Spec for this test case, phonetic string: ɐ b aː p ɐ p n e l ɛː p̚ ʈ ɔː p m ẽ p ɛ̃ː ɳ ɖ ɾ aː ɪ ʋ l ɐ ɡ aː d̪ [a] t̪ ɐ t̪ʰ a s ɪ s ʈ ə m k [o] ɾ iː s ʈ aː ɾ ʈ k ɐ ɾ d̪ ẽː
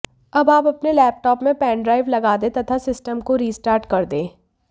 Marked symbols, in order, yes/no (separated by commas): no, yes